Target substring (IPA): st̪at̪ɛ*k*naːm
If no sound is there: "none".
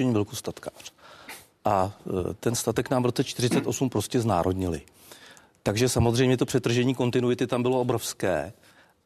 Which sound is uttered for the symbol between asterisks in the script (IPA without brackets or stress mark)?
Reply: k